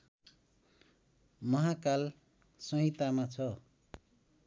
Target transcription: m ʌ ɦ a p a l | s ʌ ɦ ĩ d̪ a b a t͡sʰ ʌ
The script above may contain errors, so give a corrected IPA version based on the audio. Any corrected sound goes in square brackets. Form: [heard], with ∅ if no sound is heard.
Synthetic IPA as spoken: m ʌ ɦ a [k] a l | s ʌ ɦ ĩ [t̪] a [m] a t͡sʰ ʌ

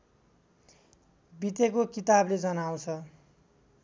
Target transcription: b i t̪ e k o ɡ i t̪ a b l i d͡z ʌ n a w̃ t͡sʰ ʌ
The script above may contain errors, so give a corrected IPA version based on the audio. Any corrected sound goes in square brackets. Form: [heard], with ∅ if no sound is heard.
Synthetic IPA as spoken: b i t̪ e k o [k] i t̪ a b l [e] d͡z ʌ n a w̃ t͡sʰ ʌ

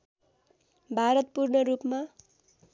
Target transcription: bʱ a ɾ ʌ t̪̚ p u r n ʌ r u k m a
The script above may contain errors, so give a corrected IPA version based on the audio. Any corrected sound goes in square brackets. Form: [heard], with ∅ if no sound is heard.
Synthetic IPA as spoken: bʱ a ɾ ʌ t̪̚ p u r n ʌ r u [p] m a

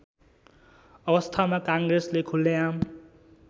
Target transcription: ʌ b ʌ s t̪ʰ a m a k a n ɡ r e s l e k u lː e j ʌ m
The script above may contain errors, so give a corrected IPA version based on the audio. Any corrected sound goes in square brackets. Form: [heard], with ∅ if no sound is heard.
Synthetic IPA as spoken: ʌ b ʌ s t̪ʰ a m a k a [ŋ] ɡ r e s l e [kʰ] u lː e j [a] m

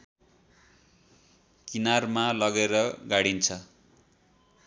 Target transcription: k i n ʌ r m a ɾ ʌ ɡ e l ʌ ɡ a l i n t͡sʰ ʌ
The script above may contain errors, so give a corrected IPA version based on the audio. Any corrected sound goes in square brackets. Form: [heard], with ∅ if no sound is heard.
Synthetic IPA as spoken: k i n [a] r m a [l] ʌ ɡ e [ɾ] ʌ ɡ a [ɽ] i n t͡sʰ ʌ

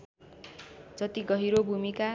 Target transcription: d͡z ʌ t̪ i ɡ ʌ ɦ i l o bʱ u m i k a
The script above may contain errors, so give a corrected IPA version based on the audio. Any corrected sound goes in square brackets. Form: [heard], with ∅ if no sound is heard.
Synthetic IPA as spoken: d͡z ʌ t̪ i ɡ ʌ ɦ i [ɾ] o bʱ u m i k a

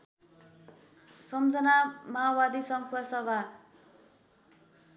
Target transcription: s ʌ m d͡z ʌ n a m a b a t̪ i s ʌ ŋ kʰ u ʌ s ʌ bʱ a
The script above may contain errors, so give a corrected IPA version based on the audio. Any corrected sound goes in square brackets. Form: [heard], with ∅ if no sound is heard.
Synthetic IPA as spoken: s ʌ m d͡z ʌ n a m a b a [d̪] i s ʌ ŋ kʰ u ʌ s ʌ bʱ a

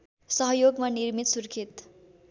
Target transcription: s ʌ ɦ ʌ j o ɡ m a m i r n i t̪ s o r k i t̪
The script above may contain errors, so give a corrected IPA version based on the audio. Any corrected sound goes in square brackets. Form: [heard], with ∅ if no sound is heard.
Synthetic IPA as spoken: s ʌ ɦ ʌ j o ɡ m a [n] i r [m] i t̪ s [u] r [kʰ] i t̪

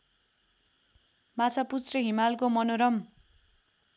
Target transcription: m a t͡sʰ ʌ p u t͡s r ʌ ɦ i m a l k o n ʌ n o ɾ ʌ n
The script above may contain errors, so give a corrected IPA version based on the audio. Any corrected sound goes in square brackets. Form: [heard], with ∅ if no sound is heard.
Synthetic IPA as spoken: m a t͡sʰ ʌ p u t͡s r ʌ ɦ i m a l k o [m] ʌ n o ɾ ʌ [m]

